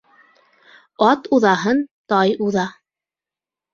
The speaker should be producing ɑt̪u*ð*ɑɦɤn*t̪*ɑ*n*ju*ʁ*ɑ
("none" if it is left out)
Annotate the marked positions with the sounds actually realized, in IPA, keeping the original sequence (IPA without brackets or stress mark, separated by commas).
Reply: ð, t̪, none, ð